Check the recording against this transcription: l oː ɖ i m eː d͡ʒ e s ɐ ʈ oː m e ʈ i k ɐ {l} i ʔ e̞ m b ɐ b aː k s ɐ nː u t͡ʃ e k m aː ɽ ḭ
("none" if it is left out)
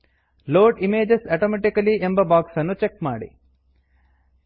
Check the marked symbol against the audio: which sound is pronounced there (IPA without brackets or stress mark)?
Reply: l